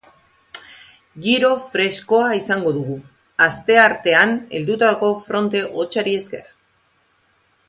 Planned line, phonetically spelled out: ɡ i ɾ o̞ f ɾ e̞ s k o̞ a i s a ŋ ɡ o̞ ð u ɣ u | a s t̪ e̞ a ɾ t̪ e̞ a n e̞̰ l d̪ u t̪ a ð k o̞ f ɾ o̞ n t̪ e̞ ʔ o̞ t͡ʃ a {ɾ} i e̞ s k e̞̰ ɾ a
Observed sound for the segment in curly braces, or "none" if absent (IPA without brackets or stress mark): ɾ